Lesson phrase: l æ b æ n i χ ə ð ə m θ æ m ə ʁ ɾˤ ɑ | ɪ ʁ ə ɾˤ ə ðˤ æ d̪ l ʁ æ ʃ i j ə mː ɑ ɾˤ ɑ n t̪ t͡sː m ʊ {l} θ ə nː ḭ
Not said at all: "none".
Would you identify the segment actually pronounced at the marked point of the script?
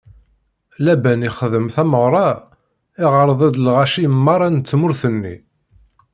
ɾ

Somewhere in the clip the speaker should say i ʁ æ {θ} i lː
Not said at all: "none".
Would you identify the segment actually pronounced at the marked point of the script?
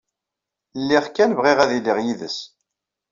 ð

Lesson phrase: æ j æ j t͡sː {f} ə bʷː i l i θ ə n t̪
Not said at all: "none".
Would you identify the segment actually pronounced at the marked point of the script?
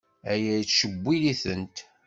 ʃ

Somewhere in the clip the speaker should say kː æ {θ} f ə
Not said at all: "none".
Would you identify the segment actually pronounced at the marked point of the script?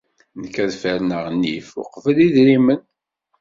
ð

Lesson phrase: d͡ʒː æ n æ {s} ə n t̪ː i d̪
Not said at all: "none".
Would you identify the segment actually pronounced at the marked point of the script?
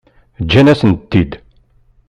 s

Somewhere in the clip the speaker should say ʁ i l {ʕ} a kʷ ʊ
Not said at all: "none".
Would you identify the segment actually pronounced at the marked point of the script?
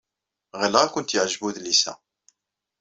ʁ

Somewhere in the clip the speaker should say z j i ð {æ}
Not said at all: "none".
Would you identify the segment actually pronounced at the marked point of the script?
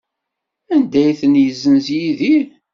i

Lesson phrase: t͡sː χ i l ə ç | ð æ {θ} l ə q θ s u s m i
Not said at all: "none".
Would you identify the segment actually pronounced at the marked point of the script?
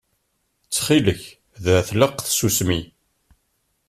θ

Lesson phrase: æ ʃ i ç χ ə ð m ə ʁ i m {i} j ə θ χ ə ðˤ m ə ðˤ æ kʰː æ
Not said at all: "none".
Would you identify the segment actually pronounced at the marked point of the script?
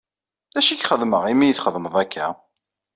i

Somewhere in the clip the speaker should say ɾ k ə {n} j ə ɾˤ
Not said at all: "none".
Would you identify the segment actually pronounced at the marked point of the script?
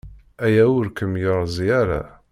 m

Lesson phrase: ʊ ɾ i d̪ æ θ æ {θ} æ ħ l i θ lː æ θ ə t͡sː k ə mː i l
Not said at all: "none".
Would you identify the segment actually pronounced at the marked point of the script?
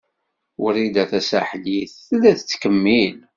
s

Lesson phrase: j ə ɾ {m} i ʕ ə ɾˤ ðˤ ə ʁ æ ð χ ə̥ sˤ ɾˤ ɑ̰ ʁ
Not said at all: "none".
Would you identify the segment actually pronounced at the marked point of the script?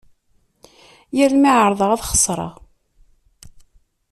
m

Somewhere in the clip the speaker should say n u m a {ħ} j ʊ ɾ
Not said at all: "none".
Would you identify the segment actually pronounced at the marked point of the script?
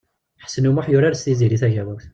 ħ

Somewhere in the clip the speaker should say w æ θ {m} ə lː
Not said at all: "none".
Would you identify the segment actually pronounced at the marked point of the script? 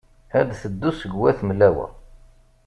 m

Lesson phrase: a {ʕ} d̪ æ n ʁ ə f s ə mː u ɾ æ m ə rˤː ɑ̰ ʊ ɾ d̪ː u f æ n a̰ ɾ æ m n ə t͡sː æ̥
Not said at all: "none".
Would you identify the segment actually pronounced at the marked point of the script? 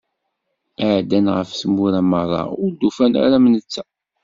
ʕ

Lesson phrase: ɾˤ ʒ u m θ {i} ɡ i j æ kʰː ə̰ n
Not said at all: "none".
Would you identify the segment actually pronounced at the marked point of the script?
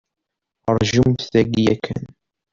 æ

